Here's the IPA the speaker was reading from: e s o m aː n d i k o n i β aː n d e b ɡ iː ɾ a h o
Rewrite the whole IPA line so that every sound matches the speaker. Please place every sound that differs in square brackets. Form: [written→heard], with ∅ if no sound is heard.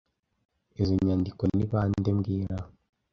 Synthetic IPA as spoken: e [s→z] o [m→ɲ] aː n d i k o n i β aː n d e [b→m] ɡ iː ɾ a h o